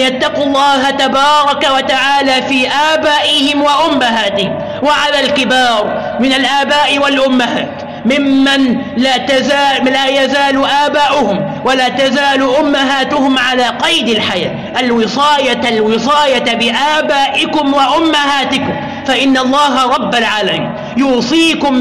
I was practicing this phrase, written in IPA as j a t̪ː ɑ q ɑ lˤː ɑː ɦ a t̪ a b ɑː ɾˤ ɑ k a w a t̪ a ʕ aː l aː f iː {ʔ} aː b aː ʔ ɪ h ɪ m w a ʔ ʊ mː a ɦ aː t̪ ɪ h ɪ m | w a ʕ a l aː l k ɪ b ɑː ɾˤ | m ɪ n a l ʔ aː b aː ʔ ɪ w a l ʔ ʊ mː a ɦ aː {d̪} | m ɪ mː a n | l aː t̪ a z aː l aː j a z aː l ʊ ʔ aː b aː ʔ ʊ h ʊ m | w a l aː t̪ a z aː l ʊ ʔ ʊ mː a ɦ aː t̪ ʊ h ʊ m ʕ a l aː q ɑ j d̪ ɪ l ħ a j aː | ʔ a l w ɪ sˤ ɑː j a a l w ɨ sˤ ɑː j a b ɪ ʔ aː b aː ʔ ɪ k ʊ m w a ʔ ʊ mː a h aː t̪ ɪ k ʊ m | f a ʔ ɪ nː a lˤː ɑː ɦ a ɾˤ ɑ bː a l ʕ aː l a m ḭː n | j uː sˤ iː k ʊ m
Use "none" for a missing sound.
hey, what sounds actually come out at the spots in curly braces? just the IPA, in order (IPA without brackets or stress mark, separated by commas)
ʔ, t̪